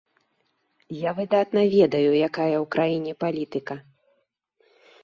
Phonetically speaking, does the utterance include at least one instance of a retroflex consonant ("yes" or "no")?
no